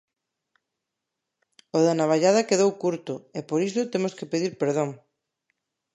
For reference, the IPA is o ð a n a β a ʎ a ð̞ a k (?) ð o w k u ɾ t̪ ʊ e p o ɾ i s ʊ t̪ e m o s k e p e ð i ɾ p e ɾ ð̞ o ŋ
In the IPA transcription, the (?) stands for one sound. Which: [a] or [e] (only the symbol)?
e